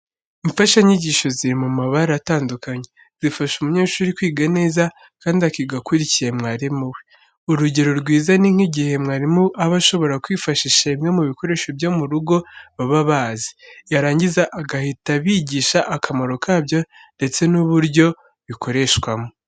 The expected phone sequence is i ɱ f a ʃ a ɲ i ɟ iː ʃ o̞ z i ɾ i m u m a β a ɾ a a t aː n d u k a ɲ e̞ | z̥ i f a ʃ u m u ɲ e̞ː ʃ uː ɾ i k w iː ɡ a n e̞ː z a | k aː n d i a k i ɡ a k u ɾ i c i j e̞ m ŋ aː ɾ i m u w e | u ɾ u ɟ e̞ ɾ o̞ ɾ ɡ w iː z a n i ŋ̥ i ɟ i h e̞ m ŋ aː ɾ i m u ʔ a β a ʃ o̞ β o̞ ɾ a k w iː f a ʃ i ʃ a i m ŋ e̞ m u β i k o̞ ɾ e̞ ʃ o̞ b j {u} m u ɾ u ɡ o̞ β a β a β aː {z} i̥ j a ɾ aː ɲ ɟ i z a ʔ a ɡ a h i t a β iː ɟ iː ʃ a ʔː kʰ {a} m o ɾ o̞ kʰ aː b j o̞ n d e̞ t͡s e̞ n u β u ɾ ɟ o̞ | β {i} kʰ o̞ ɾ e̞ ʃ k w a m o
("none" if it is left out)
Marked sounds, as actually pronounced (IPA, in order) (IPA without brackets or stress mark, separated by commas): o, z, a, i